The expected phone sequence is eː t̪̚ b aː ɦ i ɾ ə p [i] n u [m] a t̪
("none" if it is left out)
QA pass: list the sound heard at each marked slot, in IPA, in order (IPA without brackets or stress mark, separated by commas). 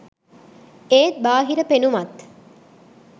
e, m